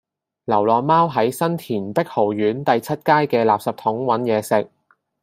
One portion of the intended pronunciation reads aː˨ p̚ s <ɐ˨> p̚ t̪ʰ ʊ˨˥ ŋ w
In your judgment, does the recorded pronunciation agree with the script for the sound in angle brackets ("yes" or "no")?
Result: yes